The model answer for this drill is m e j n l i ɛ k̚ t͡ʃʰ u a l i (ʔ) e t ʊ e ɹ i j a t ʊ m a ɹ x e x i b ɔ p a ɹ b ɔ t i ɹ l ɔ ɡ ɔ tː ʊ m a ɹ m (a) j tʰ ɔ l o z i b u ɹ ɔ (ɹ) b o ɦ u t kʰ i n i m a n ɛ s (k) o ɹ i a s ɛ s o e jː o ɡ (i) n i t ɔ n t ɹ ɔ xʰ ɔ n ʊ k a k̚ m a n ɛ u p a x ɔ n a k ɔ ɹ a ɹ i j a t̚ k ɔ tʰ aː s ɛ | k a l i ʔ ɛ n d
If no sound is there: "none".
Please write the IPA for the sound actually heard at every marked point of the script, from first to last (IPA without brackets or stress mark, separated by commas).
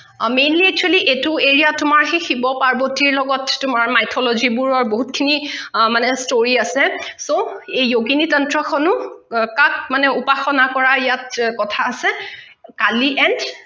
ʔ, a, ɹ, t, i